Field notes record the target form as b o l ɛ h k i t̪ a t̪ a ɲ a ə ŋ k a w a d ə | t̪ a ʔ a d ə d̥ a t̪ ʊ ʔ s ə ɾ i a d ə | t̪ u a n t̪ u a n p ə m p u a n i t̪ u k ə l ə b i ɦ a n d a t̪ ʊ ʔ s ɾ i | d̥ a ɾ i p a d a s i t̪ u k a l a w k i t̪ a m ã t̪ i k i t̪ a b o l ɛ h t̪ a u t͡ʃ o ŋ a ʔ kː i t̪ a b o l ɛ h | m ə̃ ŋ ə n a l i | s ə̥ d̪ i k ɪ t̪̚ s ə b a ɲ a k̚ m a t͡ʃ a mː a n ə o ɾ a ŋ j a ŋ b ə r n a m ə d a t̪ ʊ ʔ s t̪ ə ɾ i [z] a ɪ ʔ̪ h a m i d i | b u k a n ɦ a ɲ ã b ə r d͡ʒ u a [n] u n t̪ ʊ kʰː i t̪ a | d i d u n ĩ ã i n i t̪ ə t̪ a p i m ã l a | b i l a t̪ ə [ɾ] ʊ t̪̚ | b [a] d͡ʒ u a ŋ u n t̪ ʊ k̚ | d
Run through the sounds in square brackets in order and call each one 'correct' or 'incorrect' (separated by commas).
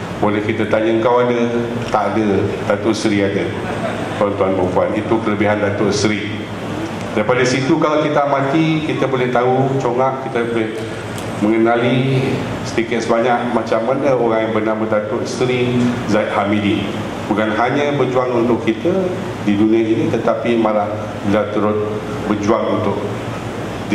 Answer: correct, incorrect, correct, incorrect